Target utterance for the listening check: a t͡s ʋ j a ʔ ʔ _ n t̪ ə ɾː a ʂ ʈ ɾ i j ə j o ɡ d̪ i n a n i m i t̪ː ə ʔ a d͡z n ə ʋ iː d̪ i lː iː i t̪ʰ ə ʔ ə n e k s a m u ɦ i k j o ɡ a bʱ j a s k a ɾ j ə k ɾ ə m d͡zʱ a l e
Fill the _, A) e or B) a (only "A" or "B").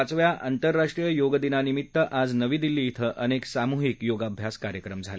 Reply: B